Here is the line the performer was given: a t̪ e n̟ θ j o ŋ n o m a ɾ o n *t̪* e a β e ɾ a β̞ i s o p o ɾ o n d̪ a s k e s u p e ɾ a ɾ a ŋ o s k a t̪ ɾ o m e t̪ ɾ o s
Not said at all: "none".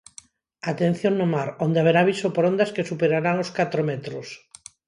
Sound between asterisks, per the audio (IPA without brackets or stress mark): d̪